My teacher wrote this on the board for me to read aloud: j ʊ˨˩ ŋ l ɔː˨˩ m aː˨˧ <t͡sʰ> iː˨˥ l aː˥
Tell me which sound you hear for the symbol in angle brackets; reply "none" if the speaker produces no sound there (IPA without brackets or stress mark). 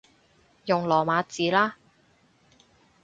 t͡s